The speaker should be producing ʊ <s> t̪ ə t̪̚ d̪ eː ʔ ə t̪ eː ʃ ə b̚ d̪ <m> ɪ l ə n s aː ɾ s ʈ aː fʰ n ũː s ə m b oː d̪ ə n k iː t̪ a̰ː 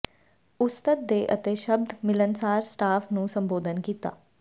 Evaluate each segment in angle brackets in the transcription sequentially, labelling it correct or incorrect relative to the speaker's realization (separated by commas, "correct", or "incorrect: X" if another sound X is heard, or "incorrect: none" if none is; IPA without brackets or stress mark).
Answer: correct, correct